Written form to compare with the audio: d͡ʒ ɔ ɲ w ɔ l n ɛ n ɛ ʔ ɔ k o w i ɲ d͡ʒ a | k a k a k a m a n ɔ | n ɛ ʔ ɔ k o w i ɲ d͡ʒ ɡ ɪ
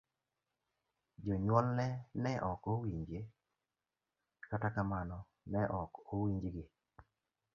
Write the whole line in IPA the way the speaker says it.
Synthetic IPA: d͡ʒ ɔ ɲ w ɔ l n ɛ n ɛ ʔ ɔ k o w i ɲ d͡ʒ e | k a t a k a m a n ɔ | n ɛ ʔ ɔ k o w i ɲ d͡ʒ ɡ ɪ